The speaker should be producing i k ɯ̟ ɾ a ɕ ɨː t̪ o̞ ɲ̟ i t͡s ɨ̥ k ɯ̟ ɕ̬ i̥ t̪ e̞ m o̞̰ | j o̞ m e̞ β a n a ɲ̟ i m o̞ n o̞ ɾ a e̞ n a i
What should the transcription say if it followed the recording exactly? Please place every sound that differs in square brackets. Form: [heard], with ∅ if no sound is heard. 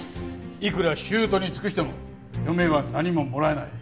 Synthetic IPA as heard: i k ɯ̟ ɾ a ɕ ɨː t̪ o̞ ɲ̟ i t͡s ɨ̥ k ɯ̟ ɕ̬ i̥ t̪ e̞ m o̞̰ | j o̞ m e̞ β a n a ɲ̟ i m o̞ [m] o̞ ɾ a e̞ n a i

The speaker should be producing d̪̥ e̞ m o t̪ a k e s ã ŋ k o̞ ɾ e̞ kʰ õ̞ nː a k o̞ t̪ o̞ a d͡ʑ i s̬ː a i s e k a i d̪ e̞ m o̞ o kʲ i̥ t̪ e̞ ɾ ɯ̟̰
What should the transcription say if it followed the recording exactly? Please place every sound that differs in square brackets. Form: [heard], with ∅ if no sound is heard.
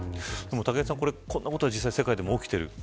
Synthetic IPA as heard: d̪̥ e̞ m o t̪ a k e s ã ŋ k o̞ ɾ e̞ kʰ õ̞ nː a k o̞ t̪ o̞ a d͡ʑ i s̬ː a i s e k a i d̪ e̞ m o̞ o kʲ i̥ t̪ e̞ ɾ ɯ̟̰

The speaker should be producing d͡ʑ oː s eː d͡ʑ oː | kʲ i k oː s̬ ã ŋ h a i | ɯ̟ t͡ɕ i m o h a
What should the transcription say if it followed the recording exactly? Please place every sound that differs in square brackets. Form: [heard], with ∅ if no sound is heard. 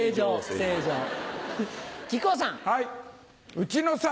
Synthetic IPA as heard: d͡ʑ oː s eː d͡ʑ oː | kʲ i k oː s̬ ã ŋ h a i | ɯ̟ t͡ɕ i [n] o [s] a

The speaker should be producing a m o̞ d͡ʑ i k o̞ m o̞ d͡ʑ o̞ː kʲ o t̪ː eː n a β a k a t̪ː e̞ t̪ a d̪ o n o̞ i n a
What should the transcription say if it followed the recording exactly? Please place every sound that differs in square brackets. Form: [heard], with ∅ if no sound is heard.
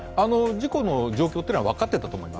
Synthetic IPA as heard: a [n] o̞ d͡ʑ i k o̞ [n] o̞ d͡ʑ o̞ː kʲ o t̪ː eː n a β a k a t̪ː e̞ t̪ a [t̪] o [m] o̞ i [m] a

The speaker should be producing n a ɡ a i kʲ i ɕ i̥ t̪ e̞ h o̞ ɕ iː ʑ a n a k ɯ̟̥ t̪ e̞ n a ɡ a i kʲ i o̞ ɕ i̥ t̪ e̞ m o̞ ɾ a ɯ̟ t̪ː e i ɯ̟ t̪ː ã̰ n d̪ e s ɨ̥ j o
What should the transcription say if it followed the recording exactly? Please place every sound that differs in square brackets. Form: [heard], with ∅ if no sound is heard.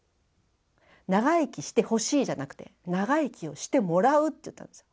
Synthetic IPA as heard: n a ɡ a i kʲ i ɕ i̥ t̪ e̞ h o̞ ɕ iː ʑ a n a k ɯ̟̥ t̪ e̞ n a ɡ a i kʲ i o̞ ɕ i̥ t̪ e̞ m o̞ ɾ a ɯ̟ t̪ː e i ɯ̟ t̪ː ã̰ n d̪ e s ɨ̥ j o

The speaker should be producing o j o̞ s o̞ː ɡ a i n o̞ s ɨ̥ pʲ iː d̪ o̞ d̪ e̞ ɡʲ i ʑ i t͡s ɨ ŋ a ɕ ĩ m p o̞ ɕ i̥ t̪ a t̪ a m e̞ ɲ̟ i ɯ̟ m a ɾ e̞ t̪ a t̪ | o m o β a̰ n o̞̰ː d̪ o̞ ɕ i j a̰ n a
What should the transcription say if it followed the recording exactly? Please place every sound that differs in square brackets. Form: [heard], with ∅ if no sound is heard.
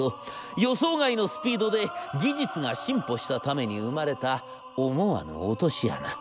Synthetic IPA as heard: o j o̞ s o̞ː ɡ a i n o̞ s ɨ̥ pʲ iː d̪ o̞ d̪ e̞ ɡʲ i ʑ i t͡s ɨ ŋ a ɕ ĩ m p o̞ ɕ i̥ t̪ a t̪ a m e̞ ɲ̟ i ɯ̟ m a ɾ e̞ t̪ a [∅] | o m o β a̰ n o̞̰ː [t̪] o̞ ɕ i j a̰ n a

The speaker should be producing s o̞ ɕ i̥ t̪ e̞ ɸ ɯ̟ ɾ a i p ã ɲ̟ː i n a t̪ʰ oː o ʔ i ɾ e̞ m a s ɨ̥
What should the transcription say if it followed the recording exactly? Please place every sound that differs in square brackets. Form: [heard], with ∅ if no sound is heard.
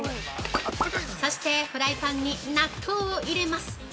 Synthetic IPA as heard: s o̞ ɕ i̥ t̪ e̞ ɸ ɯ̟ ɾ a i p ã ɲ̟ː i n a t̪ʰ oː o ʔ i ɾ e̞ m a s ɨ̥

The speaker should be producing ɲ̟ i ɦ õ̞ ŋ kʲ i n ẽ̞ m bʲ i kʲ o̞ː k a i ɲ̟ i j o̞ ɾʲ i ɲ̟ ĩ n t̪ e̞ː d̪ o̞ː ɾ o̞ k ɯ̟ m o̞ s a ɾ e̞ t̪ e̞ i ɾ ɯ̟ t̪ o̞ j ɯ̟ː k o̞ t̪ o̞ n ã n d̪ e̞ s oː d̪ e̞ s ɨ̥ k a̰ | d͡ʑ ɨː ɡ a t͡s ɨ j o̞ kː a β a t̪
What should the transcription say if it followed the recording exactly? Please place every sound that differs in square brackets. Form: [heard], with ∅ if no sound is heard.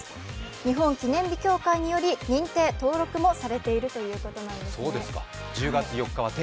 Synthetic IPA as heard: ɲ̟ i ɦ õ̞ ŋ kʲ i n ẽ̞ m bʲ i kʲ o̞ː k a i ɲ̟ i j o̞ ɾʲ i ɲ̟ ĩ n t̪ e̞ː [t̪] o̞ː ɾ o̞ k ɯ̟ m o̞ s a ɾ e̞ t̪ e̞ i ɾ ɯ̟ t̪ o̞ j ɯ̟ː k o̞ t̪ o̞ n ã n d̪ e̞ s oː d̪ e̞ s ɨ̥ k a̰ | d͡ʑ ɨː ɡ a t͡s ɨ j o̞ kː a β a t̪

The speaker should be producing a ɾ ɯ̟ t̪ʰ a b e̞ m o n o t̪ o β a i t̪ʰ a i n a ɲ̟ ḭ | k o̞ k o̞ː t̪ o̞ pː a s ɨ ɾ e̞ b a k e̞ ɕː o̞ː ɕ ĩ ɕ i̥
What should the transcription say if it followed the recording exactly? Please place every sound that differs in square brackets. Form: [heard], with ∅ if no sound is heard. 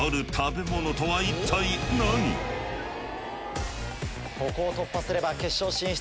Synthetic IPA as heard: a ɾ ɯ̟ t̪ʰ a b e̞ m o n o t̪ o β a i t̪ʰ a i n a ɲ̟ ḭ | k o̞ k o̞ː t̪ o̞ pː a s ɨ ɾ e̞ b a k e̞ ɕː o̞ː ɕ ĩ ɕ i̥

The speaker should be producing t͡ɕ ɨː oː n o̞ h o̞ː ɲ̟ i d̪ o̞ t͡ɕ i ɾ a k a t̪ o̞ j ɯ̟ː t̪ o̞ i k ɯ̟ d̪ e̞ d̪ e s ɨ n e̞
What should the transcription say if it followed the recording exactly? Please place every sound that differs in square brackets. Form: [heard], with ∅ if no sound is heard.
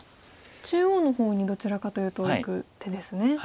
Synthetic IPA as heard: t͡ɕ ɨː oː n o̞ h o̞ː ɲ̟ i d̪ o̞ t͡ɕ i ɾ a k a t̪ o̞ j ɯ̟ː t̪ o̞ i k ɯ̟ [t̪] e̞ d̪ e s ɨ n e̞

